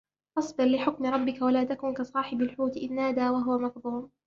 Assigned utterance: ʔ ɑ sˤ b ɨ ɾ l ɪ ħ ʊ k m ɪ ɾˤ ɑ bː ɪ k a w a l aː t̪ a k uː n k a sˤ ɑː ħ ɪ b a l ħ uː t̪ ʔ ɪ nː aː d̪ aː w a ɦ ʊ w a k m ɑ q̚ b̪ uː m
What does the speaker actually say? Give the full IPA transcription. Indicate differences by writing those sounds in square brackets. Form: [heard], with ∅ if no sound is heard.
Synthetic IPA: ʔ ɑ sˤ b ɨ ɾ l ɪ ħ ʊ k m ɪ ɾˤ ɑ bː ɪ k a w a l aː t̪ a k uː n k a sˤ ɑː ħ ɪ b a l ħ uː t̪ ʔ ɪ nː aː d̪ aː w a ɦ ʊ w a [∅] m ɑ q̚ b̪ uː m